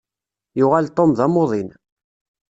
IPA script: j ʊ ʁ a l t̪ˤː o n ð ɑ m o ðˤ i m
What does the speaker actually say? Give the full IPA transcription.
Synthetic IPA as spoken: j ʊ ʁ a l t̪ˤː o m ð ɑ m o ðˤ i n